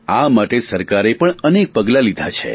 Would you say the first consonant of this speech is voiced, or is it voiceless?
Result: voiced